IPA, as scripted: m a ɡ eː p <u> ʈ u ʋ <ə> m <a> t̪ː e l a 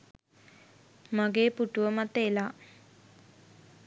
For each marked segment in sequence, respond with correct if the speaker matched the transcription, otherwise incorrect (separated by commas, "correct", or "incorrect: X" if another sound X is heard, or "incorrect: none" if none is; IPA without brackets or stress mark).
correct, correct, correct